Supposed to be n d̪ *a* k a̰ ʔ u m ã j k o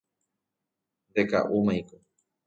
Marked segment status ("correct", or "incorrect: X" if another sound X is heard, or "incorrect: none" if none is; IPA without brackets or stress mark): incorrect: e